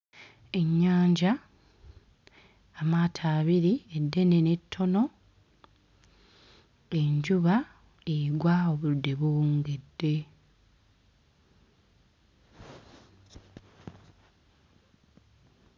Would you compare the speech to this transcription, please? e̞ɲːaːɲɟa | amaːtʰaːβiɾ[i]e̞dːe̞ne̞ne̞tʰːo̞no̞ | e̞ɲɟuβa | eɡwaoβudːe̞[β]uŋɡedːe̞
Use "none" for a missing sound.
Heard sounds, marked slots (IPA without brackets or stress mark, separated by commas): i, β